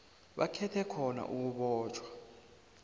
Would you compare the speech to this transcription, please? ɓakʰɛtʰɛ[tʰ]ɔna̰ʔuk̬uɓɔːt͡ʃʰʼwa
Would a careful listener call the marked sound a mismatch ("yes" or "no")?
yes